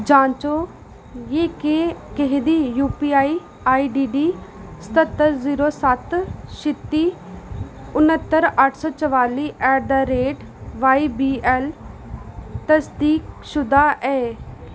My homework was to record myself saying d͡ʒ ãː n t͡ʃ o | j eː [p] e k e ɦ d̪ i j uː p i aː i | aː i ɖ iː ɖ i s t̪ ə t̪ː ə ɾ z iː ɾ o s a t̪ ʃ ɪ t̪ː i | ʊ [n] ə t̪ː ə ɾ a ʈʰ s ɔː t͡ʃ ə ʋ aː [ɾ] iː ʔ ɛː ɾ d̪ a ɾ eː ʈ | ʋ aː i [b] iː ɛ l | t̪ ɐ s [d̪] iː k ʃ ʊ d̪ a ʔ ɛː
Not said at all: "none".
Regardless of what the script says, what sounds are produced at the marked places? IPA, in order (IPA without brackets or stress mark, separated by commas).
k, n, l, b, d̪